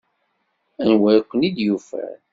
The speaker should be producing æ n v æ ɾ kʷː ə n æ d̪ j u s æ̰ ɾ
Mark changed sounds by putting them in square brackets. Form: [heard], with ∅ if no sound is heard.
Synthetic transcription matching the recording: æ n [w] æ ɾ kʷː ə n [i] d̪ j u [f] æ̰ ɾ